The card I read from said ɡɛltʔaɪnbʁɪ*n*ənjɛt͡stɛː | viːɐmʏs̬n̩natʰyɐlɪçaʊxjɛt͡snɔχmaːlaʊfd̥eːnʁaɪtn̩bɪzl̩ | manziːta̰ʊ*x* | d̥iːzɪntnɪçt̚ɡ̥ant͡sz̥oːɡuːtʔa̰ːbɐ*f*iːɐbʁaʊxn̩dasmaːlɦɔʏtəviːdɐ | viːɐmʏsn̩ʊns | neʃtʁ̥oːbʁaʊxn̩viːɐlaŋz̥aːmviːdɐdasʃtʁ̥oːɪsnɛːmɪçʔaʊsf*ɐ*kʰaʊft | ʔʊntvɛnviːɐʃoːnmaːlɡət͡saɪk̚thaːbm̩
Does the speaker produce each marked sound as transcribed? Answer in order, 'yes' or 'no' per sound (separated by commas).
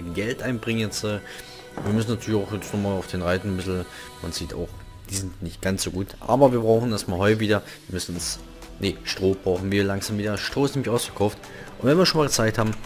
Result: no, yes, no, yes